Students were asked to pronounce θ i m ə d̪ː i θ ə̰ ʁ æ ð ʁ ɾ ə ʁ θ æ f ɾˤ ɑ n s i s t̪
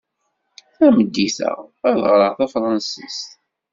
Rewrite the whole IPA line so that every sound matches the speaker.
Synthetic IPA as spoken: θ æ m ə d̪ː i θ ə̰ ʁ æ ð ʁ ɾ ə ʁ θ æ f ɾˤ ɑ n s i s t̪